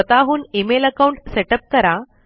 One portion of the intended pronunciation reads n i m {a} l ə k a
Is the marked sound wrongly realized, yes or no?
yes